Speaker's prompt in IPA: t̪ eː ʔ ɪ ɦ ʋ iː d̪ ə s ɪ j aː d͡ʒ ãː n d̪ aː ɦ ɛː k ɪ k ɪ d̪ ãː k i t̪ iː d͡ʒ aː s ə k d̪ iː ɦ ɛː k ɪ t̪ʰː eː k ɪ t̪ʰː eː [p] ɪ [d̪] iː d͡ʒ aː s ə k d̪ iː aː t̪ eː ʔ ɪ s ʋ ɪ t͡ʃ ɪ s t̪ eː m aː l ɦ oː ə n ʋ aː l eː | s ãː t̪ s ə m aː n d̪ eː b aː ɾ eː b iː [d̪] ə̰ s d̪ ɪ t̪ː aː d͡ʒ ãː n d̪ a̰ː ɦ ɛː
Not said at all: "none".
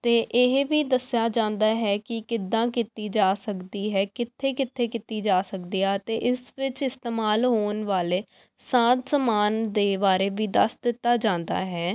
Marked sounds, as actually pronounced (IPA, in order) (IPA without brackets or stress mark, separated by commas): k, t̪, d̪